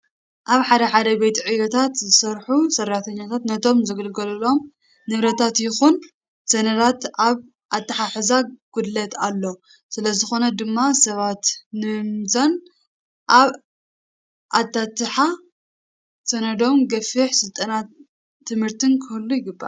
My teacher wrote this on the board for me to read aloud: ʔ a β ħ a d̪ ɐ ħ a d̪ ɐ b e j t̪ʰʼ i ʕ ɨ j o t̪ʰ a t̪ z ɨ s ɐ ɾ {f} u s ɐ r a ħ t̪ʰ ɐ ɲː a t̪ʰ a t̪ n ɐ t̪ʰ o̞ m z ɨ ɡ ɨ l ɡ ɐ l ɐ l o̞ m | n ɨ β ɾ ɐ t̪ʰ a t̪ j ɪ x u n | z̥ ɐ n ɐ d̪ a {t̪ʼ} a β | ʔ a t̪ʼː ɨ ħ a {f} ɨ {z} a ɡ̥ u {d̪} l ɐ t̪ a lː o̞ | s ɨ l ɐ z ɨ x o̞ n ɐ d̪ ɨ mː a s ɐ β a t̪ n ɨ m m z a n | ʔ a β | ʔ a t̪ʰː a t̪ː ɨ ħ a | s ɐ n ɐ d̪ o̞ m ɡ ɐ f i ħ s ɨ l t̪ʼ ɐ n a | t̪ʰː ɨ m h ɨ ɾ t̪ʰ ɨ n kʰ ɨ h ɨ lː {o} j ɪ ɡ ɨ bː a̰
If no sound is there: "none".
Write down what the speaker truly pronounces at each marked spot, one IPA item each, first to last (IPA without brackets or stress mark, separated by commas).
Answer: ħ, t̪, ħ, z, d̪, u